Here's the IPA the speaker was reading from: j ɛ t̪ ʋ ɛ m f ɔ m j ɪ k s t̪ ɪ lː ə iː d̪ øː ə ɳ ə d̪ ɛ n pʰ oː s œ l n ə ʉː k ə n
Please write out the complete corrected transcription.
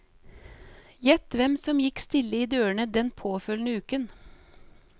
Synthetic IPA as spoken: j ɛ t̪ ʋ ɛ m s ɔ m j ɪ k s t̪ ɪ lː ə iː d̪ øː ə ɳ ə d̪ ɛ n pʰ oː f œ l n ə ʉː k ə n